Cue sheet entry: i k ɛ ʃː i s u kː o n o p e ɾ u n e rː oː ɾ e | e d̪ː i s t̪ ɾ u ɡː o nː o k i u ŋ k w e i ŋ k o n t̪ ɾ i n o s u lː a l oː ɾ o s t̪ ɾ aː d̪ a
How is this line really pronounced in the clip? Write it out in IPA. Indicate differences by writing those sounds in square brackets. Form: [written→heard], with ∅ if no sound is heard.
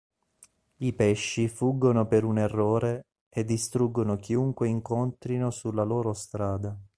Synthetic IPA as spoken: i [k→p] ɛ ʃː i [s→f] u [kː→ɡː] o n o p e ɾ u n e rː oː ɾ e | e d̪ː i s t̪ ɾ u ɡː o [nː→n] o k i u ŋ k w e i ŋ k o n t̪ ɾ i n o s u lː a l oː ɾ o s t̪ ɾ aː d̪ a

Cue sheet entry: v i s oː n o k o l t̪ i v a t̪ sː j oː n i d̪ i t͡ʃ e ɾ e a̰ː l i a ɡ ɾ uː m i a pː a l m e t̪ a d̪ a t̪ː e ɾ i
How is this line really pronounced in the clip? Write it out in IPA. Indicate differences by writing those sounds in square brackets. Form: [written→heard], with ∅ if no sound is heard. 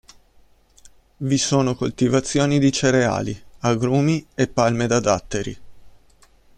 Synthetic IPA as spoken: v i s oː n o k o l t̪ i v a t̪ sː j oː n i d̪ i t͡ʃ e ɾ e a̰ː l i a ɡ ɾ uː m i [a→e] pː a l m e [t̪→d̪] a d̪ a t̪ː e ɾ i

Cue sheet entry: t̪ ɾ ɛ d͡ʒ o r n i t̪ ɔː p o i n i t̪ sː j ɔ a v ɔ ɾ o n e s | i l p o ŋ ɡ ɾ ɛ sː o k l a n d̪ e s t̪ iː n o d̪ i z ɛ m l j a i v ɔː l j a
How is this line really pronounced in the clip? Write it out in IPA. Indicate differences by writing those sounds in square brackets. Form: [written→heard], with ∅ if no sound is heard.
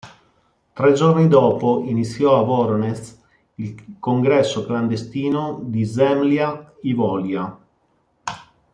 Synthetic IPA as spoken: t̪ ɾ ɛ d͡ʒ o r n i [t̪→d̪] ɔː p o i n i t̪ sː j ɔ a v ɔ ɾ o n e s | i l [p→k] o ŋ ɡ ɾ ɛ sː o k l a n d̪ e s t̪ iː n o d̪ i z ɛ m l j a i v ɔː l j a

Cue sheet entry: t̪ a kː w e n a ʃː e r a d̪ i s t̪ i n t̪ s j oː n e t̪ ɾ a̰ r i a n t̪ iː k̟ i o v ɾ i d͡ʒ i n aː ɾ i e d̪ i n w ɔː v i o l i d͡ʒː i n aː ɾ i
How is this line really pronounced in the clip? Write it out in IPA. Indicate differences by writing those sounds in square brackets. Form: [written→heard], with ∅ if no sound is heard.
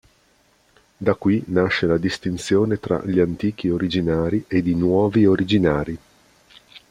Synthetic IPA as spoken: [t̪→d̪] a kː w [e→i] n a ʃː e [r→l] a d̪ i s t̪ i n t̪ s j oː n e t̪ ɾ a̰ [r→ʎ] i a n t̪ iː k̟ i o [v→∅] ɾ i d͡ʒ i n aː ɾ i e d̪ i n w ɔː v i o [l→ɾ] i [d͡ʒː→d͡ʒ] i n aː ɾ i

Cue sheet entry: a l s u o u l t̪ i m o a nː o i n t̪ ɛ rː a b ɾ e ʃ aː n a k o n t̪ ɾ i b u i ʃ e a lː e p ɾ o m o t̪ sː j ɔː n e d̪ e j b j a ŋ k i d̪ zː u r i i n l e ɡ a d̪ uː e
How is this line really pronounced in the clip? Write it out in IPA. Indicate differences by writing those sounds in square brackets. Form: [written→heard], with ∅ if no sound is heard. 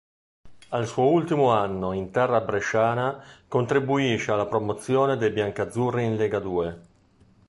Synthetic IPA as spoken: a l s u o u l t̪ i m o a nː o i n t̪ ɛ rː a b ɾ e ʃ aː n a k o n t̪ ɾ i b u i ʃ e a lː [e→a] p ɾ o m o t̪ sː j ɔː n e d̪ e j b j a ŋ k [i→a] d̪ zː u r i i n l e ɡ a d̪ uː e

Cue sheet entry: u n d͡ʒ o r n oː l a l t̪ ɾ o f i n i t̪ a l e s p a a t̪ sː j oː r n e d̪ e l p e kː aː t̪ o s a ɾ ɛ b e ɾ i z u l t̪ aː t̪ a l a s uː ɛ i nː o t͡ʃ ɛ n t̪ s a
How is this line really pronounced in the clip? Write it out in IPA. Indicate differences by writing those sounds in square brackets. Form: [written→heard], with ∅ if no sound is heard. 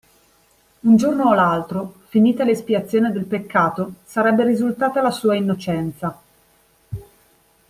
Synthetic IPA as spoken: u n d͡ʒ o r n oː l a l t̪ ɾ o f i n [i→iː] t̪ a l e s p [a→i] a t̪ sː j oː [r→∅] n e d̪ e l p e kː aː t̪ o s a ɾ ɛ [b→bː] e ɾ i z u l t̪ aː t̪ a l a s uː [ɛ→a] i nː o t͡ʃ ɛ n t̪ s a

